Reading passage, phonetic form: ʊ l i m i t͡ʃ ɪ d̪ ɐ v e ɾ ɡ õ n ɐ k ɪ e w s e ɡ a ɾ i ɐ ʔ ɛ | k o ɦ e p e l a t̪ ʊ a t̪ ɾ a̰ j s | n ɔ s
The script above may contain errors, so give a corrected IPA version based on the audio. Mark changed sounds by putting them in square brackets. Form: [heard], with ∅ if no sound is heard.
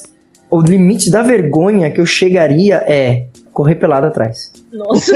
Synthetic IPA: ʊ l i m i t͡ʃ ɪ d̪ ɐ v e ɾ ɡ õ [ɲ] ɐ k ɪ e w [ʃ] e ɡ a ɾ i ɐ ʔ ɛ | k o ɦ e p e l a [d̪] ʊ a t̪ ɾ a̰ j s | n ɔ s